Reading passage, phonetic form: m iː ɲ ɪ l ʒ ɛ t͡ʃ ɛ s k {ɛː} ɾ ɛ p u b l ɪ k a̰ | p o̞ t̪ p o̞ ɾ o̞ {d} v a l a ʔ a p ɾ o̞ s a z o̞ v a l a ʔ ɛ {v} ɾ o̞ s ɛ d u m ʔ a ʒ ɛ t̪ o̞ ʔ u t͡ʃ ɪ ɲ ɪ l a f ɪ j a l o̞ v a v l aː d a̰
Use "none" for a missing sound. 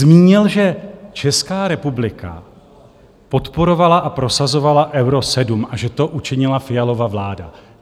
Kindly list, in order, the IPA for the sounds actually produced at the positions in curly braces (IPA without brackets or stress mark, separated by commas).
aː, none, w